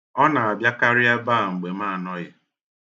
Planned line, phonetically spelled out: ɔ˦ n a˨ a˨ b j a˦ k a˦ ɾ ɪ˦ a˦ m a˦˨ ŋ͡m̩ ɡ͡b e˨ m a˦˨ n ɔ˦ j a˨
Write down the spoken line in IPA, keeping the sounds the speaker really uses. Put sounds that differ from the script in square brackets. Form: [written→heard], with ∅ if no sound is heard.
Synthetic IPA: ɔ˦ n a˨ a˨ b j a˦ k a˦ ɾ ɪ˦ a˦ [m→b] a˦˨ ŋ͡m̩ ɡ͡b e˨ m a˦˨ n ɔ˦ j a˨